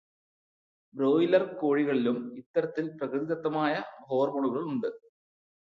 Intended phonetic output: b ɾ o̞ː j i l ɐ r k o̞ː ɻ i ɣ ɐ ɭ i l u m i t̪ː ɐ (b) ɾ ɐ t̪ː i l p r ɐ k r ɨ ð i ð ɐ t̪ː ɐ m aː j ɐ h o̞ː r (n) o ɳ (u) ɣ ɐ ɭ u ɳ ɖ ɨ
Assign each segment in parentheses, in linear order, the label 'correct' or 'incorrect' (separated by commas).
incorrect, incorrect, correct